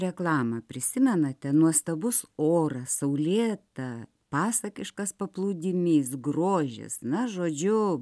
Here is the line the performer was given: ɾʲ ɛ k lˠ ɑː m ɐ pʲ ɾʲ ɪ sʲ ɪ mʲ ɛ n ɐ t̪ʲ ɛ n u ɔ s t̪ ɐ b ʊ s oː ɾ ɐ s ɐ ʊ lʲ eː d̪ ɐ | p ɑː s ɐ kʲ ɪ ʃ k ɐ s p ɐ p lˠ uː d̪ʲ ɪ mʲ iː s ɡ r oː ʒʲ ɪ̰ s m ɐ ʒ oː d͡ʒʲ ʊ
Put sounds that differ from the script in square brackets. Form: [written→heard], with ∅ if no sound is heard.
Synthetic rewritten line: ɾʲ ɛ k lˠ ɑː m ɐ pʲ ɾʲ ɪ sʲ ɪ mʲ ɛ n ɐ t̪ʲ ɛ n u ɔ s t̪ ɐ b ʊ s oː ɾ ɐ s ɐ ʊ lʲ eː [d̪→t̪] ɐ | p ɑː s ɐ kʲ ɪ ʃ k ɐ s p ɐ p lˠ uː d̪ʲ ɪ mʲ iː s ɡ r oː ʒʲ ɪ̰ s [m→n] ɐ ʒ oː d͡ʒʲ ʊ